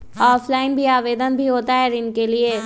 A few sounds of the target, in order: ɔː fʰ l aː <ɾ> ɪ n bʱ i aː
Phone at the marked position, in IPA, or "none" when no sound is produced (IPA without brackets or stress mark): none